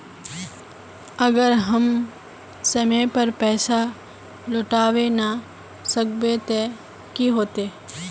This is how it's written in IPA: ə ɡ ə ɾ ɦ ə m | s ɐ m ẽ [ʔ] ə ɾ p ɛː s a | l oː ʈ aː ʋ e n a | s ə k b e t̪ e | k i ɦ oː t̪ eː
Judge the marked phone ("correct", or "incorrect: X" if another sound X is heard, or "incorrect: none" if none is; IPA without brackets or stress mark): incorrect: p